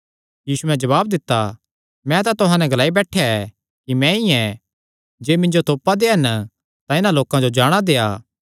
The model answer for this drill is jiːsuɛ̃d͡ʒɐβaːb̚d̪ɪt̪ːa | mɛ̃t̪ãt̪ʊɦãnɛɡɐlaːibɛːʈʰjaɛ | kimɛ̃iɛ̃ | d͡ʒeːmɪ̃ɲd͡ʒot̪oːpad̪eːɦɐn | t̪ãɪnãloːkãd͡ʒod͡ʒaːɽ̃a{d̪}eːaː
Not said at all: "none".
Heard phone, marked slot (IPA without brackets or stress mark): d̪